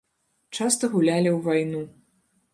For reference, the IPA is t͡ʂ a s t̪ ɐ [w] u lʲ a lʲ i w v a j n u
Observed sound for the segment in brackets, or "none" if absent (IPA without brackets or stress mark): ɣ